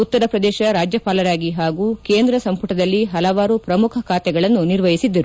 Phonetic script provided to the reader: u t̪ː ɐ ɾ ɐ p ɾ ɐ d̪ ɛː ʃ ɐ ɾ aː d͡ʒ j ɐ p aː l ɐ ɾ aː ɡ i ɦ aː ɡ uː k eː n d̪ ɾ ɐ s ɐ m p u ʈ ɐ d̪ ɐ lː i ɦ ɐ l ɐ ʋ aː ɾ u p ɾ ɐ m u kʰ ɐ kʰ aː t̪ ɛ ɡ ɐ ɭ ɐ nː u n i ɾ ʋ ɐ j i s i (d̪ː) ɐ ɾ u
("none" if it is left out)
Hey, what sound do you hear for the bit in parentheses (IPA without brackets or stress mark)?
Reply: d̪ː